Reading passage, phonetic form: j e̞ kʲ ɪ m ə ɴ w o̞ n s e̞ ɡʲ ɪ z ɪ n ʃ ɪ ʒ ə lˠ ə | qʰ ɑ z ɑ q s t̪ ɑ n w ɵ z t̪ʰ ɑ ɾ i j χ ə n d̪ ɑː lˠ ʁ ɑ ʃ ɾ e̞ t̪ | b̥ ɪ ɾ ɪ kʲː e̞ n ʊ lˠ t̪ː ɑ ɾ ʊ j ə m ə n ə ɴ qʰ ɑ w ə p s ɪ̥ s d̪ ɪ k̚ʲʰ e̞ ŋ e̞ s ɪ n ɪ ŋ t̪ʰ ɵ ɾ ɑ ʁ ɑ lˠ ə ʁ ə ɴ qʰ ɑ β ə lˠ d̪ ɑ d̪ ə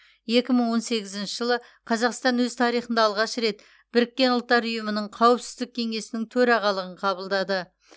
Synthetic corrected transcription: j e̞ kʲ ɪ m ə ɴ w o̞ n s e̞ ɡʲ ɪ z ɪ n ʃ ɪ ʒ ə lˠ ə | qʰ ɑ z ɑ q s t̪ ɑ n w ɵ z t̪ʰ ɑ ɾ i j χ ə n d̪ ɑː lˠ ʁ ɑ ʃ ɾ e̞ t̪ | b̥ ɪ ɾ ɪ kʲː e̞ n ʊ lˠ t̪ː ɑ ɾ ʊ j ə m ə n ə ɴ qʰ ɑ w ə p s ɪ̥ z d̪ ɪ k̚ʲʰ e̞ ŋ e̞ s ɪ n ɪ ŋ t̪ʰ ɵ ɾ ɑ ʁ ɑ lˠ ə ʁ ə ɴ qʰ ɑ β ə lˠ d̪ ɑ d̪ ə